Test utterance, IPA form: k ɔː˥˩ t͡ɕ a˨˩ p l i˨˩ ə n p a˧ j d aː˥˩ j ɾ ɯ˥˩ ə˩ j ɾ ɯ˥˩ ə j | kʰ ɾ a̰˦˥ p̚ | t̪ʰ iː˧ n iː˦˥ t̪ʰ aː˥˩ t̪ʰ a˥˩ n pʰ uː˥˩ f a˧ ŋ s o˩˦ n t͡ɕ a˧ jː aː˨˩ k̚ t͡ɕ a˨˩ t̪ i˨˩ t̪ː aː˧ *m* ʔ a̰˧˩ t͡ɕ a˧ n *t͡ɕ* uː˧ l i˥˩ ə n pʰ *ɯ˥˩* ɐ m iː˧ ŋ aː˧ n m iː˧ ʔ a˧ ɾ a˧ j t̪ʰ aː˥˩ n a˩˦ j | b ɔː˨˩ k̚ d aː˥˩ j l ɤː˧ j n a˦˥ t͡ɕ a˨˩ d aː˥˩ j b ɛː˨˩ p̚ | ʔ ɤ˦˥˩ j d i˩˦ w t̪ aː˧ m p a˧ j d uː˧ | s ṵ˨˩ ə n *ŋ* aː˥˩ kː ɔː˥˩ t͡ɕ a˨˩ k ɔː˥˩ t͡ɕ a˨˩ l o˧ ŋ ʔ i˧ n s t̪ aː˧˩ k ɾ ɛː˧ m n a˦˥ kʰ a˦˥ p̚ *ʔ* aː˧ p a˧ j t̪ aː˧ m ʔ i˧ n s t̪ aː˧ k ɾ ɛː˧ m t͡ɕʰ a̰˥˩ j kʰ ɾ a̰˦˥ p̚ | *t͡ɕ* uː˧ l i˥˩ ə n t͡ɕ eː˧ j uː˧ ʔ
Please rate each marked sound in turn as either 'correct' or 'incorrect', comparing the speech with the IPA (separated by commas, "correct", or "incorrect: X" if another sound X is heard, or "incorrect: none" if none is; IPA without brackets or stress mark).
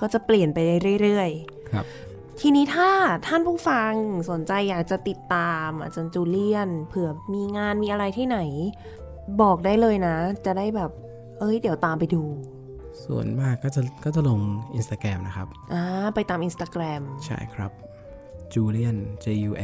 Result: correct, correct, incorrect: ɯ˩˦, incorrect: m, correct, correct